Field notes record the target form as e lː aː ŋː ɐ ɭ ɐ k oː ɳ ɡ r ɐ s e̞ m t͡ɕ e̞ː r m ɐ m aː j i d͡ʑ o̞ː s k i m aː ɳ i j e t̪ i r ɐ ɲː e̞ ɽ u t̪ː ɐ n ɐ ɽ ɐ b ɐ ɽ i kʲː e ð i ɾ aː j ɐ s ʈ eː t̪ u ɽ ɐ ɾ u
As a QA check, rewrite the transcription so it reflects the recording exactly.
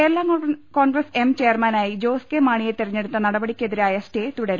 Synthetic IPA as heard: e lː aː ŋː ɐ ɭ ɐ k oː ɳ ɡ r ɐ s e̞ m t͡ɕ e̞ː r m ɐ n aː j i d͡ʑ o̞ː s k e m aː ɳ i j e t̪ i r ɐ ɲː e̞ ɽ u t̪ː ɐ n ɐ ɽ ɐ b ɐ ɽ i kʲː e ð i ɾ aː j ɐ s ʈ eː t̪ u ɽ ɐ ɾ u

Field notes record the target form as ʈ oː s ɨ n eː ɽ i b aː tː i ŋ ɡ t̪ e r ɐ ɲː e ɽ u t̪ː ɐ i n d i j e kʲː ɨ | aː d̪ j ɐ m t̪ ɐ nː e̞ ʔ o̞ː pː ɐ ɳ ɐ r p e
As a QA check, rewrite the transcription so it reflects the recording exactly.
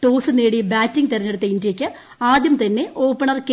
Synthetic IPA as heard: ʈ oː s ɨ n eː ɽ i b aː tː i ŋ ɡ t̪ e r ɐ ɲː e ɽ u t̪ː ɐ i n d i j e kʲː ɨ | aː d̪ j ɐ m t̪ ɐ nː e̞ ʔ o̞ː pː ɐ ɳ ɐ r k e

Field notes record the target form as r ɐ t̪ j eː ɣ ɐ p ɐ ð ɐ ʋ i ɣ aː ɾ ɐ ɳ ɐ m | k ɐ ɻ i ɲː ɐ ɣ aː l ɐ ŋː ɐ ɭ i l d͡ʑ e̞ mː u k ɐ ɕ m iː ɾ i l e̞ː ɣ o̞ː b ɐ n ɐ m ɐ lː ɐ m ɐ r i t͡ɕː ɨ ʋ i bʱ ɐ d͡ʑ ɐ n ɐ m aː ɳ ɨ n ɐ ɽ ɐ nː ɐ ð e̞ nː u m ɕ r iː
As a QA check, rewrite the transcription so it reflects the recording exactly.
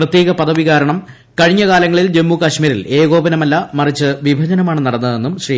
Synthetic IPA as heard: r ɐ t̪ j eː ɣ ɐ p ɐ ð ɐ ʋ i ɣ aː ɾ ɐ ɳ ɐ m | k ɐ ɻ i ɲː ɐ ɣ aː l ɐ ŋː ɐ ɭ i l d͡ʑ e̞ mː u k ɐ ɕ m iː ɾ i l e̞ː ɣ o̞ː b ɐ n ɐ m ɐ lː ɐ m ɐ r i t͡ɕː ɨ ʋ i bʱ ɐ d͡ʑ ɐ n ɐ m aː ɳ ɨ n ɐ ɽ ɐ nː ɐ ð e̞ nː u m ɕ r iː

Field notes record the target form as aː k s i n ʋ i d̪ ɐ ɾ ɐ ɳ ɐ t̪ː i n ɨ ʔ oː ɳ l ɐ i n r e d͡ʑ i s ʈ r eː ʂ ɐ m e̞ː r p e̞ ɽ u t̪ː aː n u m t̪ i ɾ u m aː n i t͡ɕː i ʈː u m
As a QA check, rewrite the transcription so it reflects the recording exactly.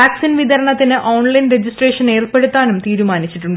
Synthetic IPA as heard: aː k s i n ʋ i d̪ ɐ ɾ ɐ ɳ ɐ t̪ː i n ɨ ʔ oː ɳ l ɐ j n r e d͡ʑ i s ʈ r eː ʂ ɐ n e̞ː r p e̞ ɽ u t̪ː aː n u m t̪ iː ɾ u m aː n i t͡ɕː i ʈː u ɳ

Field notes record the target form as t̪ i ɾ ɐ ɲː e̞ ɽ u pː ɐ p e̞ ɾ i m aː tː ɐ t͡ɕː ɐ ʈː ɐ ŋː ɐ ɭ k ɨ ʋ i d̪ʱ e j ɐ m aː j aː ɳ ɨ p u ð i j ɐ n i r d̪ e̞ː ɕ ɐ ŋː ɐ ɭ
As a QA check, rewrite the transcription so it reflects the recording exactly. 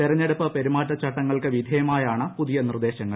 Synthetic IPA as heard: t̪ i ɾ ɐ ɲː e̞ ɽ u pː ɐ p e̞ ɾ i m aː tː ɐ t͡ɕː ɐ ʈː ɐ ŋː ɐ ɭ k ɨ ʋ i d̪ʱ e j ɐ m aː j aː ɳ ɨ p u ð i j ɐ n i r d̪ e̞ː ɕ ɐ ŋː ɐ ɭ

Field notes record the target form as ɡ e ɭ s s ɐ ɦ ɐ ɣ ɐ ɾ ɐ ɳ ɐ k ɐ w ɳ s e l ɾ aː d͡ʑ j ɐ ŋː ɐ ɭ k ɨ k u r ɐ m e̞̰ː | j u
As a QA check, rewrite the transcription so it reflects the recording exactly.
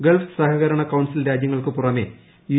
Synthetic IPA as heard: ɡ e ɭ f s ɐ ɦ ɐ ɣ ɐ ɾ ɐ ɳ ɐ k ɐ w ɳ s i l ɾ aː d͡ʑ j ɐ ŋː ɐ ɭ k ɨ p u r ɐ m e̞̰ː | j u

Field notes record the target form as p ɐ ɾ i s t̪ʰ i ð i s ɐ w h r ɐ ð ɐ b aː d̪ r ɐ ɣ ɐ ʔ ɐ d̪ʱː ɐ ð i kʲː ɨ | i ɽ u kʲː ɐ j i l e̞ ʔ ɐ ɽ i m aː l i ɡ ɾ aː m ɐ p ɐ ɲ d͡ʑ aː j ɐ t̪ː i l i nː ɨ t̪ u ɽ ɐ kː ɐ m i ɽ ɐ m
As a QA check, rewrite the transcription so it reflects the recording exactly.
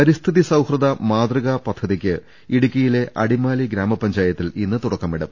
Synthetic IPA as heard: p ɐ ɾ i s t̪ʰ i ð i s ɐ w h r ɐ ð ɐ m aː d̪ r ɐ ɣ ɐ p ɐ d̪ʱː ɐ ð i kʲː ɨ | i ɽ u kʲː ɐ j i l e̞ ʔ ɐ ɽ i m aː l i ɡ ɾ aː m ɐ p ɐ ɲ d͡ʑ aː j ɐ t̪ː i l i nː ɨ t̪ u ɽ ɐ kː ɐ m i ɽ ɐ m

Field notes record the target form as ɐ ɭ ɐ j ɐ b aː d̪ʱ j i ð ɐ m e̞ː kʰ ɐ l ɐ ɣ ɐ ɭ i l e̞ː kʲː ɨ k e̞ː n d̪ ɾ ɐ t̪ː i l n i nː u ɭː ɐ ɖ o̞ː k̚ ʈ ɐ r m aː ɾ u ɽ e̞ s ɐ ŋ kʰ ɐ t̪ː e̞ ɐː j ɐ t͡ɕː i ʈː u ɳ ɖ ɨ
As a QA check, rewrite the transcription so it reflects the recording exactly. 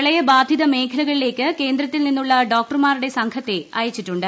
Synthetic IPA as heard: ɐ ɭ ɐ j ɐ b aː d̪ʱ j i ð ɐ m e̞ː kʰ ɐ l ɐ ɣ ɐ ɭ i l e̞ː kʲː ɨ k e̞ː n d̪ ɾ ɐ t̪ː i l n i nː u ɭː ɐ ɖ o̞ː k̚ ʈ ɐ r m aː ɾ u ɽ e̞ s ɐ ŋ kʰ ɐ t̪ː e̞ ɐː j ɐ t͡ɕː i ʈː u ɳ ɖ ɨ

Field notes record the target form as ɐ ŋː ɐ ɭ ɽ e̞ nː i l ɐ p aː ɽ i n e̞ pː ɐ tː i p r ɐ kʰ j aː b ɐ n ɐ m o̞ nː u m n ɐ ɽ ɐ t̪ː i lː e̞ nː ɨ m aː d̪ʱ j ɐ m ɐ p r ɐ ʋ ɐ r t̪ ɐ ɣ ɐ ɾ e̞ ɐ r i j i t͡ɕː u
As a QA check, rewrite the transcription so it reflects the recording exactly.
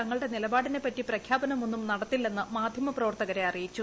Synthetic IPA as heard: ɐ ŋː ɐ ɭ ɽ e̞ n i l ɐ b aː ɽ i n e̞ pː ɐ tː i p r ɐ kʰ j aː b ɐ n ɐ m o̞ nː u m n ɐ ɽ ɐ t̪ː i lː e̞ nː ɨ m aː d̪ʱ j ɐ m ɐ p r ɐ ʋ ɐ r t̪ ɐ ɣ ɐ ɾ e̞ ɐ r i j i t͡ɕː u

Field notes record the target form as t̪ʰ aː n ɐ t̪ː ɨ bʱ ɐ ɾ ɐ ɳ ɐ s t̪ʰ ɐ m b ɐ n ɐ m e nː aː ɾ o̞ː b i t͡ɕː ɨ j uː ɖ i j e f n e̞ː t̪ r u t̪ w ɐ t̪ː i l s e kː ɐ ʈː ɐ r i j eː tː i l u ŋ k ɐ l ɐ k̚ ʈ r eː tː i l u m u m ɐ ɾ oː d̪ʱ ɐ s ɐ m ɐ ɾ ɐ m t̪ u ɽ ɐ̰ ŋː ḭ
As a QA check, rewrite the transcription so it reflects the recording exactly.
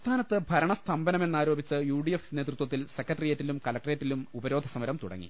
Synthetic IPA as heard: t̪ʰ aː n ɐ t̪ː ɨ bʱ ɐ ɾ ɐ ɳ ɐ s t̪ʰ ɐ m b ɐ n ɐ m e nː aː ɾ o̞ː b i t͡ɕː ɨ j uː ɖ i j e f n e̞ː t̪ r u t̪ w ɐ t̪ː i l s e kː ɐ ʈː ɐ r i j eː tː i l u m k ɐ l ɐ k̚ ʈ r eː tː i l u m u b ɐ ɾ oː d̪ʱ ɐ s ɐ m ɐ ɾ ɐ m t̪ u ɽ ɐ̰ ŋː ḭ

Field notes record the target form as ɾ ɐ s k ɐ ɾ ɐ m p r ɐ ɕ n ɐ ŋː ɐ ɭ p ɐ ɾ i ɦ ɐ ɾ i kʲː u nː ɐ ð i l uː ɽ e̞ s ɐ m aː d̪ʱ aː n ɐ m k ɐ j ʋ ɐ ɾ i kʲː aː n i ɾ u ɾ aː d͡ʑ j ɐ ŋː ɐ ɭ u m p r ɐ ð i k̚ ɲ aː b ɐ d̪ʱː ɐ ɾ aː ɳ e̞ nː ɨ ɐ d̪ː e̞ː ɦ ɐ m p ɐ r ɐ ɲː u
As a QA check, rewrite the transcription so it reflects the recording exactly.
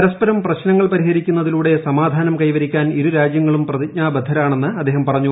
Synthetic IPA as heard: ɾ ɐ s p ɐ ɾ ɐ m p r ɐ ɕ n ɐ ŋː ɐ ɭ p ɐ ɾ i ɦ ɐ ɾ i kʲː u nː ɐ ð i l uː ɽ e̞ s ɐ m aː d̪ʱ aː n ɐ m k ɐ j ʋ ɐ ɾ i kʲː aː n i ɾ u ɾ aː d͡ʑ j ɐ ŋː ɐ ɭ u m p r ɐ ð i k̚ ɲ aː b ɐ d̪ʱː ɐ ɾ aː ɳ e̞ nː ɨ ɐ d̪ː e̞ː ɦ ɐ m p ɐ r ɐ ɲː u

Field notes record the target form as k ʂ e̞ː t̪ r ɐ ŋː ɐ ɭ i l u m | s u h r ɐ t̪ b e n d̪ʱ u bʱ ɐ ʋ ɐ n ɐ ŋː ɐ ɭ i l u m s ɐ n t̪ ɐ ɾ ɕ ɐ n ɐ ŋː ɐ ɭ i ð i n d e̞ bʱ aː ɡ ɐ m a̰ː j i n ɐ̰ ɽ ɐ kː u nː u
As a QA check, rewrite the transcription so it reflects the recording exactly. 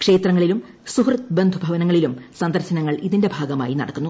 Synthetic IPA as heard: k ʂ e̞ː t̪ r ɐ ŋː ɐ ɭ i l u m | s u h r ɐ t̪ b e n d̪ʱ u bʱ ɐ ʋ ɐ n ɐ ŋː ɐ ɭ i l u m s ɐ n d̪ ɐ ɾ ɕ ɐ n ɐ ŋː ɐ ɭ i ð i n d e̞ bʱ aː ɡ ɐ m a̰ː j i n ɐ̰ ɽ ɐ kː u nː u

